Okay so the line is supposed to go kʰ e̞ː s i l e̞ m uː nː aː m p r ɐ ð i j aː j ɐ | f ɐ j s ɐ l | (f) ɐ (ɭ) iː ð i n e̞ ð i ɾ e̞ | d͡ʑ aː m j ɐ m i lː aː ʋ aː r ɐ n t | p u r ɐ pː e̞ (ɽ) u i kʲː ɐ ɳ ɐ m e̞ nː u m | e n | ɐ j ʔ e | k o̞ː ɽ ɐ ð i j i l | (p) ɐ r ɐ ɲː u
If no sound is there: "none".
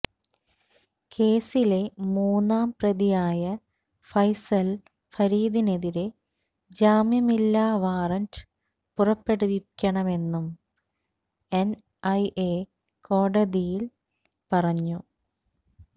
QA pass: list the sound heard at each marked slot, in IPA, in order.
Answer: f, ɾ, ɽ, p

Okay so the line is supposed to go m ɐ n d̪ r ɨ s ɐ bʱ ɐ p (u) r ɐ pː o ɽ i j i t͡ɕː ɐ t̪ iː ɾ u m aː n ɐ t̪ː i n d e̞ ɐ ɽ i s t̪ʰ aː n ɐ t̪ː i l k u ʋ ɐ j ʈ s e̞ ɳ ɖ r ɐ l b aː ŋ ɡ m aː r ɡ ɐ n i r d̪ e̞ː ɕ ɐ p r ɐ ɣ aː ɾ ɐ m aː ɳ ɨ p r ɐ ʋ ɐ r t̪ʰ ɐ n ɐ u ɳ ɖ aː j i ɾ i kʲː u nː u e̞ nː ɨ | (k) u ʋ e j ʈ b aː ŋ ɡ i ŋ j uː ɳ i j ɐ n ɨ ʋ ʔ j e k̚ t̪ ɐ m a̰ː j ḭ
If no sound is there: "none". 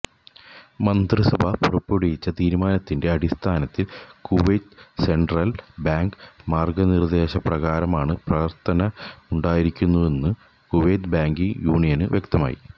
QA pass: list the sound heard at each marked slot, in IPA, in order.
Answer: u, k

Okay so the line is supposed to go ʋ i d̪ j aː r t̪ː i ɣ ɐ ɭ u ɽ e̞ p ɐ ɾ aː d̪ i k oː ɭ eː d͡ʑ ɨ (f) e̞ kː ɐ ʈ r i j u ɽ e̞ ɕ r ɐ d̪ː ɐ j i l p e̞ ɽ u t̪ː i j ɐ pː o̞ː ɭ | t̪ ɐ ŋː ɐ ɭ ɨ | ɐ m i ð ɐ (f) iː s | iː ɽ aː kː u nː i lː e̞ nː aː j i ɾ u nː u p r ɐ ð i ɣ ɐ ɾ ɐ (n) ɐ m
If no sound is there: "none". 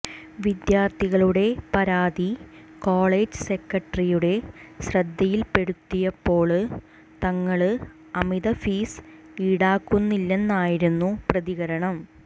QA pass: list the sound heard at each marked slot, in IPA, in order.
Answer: s, f, ɳ

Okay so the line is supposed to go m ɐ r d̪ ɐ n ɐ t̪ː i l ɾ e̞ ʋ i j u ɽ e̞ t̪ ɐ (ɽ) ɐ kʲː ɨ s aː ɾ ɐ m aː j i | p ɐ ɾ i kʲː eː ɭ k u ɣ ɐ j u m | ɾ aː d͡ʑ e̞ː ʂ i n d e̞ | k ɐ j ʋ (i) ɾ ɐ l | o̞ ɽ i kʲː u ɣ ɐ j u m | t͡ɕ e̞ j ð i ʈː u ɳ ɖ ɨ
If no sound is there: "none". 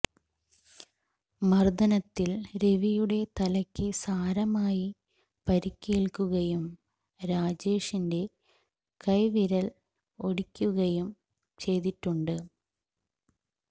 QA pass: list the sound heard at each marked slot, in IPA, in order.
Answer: l, i

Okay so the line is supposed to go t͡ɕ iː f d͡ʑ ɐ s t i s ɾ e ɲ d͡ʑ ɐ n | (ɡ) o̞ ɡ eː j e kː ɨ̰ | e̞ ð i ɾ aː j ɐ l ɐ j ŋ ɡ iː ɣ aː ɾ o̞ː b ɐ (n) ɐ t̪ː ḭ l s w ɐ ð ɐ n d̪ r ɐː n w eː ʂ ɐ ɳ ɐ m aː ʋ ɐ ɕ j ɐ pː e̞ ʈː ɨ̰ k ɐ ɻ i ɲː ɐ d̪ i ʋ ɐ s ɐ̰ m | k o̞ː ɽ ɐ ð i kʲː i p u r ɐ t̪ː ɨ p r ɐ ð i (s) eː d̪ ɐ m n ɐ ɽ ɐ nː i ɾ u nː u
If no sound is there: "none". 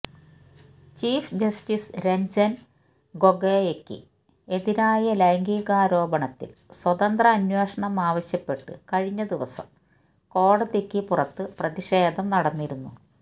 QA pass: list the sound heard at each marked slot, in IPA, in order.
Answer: ɡ, ɳ, ʂ

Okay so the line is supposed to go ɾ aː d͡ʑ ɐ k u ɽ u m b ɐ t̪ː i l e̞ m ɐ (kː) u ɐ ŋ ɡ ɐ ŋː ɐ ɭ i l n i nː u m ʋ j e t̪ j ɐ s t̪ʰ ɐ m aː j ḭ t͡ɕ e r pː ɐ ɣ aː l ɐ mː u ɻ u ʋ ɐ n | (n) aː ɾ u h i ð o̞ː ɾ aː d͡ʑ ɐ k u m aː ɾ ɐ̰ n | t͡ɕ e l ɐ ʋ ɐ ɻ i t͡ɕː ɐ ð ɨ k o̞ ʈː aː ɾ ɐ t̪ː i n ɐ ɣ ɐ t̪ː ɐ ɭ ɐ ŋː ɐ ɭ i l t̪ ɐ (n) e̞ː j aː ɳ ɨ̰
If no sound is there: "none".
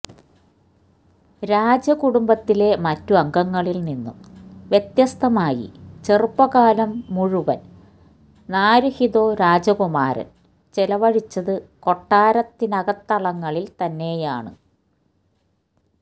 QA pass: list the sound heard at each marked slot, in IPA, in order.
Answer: tː, n, nː

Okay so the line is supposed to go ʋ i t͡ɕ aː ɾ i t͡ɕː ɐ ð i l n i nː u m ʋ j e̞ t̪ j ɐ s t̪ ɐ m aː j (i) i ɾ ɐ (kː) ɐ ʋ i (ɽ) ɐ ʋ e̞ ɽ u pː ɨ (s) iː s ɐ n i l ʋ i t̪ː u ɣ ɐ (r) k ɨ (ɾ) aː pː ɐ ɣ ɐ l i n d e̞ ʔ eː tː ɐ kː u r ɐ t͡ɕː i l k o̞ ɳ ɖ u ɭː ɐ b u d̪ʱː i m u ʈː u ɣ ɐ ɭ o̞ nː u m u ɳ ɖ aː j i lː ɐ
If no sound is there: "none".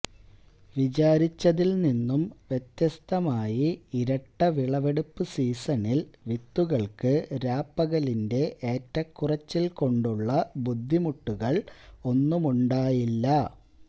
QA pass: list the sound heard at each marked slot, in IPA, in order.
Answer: i, ʈː, ɭ, s, ɭ, ɾ

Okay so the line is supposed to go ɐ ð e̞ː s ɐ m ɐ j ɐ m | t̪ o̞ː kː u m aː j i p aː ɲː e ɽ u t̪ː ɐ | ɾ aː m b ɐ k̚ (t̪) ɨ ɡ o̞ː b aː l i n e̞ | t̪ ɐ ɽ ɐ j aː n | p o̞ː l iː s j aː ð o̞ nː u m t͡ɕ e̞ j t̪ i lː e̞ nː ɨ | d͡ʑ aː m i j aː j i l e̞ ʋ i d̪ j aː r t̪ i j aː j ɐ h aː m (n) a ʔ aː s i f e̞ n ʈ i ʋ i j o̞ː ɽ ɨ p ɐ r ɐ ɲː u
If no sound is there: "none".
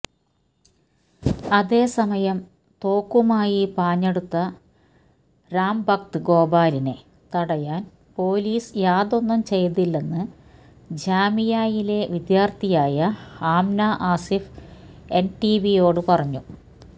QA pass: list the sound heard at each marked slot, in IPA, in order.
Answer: t̪, n

